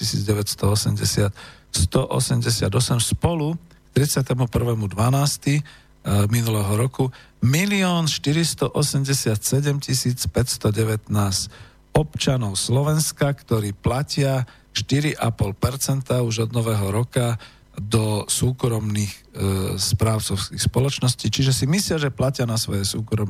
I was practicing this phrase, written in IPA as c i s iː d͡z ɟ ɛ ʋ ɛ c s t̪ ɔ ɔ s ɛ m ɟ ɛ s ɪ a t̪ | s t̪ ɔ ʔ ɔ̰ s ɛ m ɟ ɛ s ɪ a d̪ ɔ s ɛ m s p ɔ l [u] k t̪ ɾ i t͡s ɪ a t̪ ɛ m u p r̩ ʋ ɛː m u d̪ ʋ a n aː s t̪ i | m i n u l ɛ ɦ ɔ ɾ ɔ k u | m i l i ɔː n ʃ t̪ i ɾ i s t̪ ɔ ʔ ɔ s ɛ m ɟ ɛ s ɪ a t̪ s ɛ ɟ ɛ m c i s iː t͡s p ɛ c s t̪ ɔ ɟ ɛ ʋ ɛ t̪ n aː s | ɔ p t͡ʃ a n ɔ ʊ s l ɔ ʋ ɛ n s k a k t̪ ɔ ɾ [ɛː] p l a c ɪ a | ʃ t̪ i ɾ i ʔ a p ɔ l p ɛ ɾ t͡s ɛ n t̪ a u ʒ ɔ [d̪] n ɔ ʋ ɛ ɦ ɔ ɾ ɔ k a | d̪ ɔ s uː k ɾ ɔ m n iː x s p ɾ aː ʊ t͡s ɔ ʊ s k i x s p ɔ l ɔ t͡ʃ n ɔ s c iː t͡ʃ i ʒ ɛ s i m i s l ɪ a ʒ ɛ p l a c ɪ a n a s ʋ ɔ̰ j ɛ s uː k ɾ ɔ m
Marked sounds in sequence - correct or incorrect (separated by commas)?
correct, incorrect, correct